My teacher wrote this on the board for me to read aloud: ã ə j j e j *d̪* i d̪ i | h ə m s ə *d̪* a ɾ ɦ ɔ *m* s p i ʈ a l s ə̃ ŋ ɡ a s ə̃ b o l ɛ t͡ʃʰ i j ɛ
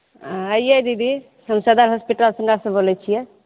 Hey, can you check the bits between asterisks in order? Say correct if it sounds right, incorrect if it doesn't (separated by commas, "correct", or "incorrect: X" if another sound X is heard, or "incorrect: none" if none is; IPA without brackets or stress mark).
correct, correct, incorrect: none